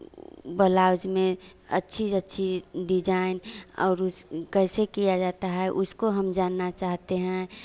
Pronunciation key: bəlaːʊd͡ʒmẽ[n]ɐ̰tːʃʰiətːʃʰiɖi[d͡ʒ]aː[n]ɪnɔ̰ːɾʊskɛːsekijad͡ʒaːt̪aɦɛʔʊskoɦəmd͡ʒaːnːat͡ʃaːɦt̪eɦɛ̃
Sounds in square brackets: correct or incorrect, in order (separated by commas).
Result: incorrect, correct, incorrect